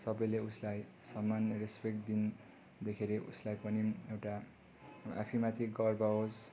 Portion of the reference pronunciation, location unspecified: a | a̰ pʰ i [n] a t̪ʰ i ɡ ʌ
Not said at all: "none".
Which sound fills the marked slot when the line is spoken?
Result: m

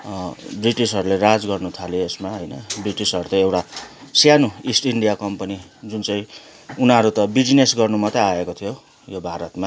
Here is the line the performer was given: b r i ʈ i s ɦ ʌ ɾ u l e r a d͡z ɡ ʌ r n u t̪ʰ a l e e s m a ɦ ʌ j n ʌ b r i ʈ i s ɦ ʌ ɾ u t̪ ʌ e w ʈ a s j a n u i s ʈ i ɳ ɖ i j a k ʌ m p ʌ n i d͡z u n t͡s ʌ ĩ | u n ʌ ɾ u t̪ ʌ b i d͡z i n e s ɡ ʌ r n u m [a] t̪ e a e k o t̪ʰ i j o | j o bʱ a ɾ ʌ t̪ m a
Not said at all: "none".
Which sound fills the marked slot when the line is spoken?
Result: ʌ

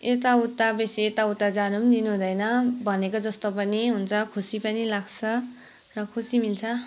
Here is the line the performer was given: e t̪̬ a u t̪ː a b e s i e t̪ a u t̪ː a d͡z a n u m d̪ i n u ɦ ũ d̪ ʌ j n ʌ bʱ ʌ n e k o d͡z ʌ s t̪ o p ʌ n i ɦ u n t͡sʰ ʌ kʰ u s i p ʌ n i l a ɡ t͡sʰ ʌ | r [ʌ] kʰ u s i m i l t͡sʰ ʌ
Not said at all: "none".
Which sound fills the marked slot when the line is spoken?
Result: ʌ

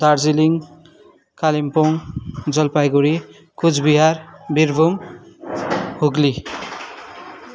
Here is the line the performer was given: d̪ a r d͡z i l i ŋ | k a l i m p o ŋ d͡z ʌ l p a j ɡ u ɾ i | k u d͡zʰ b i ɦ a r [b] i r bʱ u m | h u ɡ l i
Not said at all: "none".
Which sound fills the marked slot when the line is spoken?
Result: b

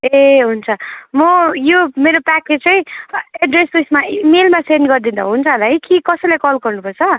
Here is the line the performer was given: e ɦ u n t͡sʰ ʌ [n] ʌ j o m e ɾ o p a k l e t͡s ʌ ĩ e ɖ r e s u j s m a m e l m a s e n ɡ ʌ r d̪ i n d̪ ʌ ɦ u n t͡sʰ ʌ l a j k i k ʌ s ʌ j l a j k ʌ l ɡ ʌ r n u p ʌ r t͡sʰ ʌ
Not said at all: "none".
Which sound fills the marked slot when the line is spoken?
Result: m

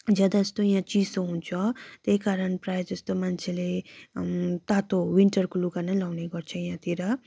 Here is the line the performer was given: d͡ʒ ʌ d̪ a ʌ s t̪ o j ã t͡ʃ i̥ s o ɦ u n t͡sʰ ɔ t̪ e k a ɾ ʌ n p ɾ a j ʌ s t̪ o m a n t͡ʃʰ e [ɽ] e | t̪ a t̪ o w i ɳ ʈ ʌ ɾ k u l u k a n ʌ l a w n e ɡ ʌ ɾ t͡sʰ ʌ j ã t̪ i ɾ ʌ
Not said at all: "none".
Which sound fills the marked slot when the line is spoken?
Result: l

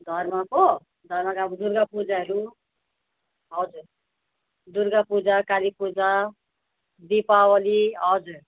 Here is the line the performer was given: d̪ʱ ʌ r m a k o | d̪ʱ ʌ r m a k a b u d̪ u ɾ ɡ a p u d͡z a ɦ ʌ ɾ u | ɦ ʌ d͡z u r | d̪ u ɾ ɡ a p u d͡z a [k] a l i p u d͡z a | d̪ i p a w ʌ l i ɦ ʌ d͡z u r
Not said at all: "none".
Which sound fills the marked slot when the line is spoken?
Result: k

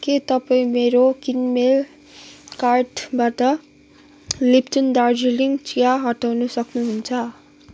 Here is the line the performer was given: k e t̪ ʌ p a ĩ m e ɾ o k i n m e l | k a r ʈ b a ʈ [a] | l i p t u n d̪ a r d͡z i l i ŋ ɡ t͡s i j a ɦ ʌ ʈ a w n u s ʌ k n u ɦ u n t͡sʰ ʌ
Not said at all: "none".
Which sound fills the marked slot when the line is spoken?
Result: ʌ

